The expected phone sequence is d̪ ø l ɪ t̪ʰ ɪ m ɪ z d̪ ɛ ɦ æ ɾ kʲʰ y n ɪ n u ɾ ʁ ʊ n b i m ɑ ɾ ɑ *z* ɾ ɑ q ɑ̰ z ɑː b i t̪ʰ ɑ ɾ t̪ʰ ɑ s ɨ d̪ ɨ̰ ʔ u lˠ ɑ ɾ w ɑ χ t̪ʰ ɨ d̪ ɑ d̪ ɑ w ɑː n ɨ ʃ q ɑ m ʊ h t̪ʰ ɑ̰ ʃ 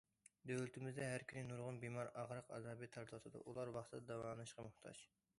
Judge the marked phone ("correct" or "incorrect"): incorrect